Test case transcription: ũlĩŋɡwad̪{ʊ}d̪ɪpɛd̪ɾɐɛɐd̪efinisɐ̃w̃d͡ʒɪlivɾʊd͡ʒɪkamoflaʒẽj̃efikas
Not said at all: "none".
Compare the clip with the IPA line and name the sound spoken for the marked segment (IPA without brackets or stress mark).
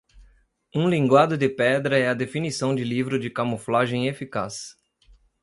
ʊ